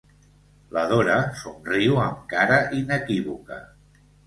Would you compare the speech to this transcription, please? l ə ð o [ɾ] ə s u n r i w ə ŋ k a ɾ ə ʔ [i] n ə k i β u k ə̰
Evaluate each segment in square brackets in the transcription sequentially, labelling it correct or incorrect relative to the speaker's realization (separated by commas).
correct, correct